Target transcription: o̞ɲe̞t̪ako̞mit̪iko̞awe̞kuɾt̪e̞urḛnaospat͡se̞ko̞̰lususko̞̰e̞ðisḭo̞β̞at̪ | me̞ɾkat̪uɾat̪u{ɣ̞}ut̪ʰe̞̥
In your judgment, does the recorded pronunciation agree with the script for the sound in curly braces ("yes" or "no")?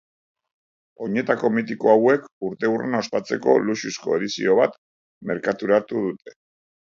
no